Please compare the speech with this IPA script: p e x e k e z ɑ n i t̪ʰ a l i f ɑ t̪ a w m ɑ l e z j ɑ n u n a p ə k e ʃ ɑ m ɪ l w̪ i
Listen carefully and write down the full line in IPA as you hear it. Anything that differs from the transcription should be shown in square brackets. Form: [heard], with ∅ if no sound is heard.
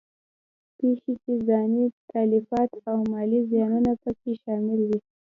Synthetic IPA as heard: p e x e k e z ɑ n i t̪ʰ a l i f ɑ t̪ a w m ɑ l [i] z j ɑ n u n a p ə k e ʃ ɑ m ɪ l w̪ i